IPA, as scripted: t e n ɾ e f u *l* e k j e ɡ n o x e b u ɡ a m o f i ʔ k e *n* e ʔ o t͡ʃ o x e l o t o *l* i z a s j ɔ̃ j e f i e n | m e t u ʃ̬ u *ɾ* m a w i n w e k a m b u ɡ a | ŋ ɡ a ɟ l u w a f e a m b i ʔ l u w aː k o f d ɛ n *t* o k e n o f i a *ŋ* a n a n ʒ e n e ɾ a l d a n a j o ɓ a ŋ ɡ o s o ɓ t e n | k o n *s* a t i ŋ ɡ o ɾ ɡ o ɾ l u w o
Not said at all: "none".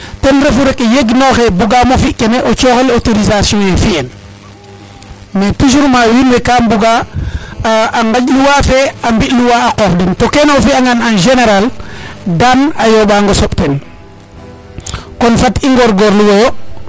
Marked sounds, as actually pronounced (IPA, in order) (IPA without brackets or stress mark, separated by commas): ɾ, n, ɾ, ɾ, t, ŋ, f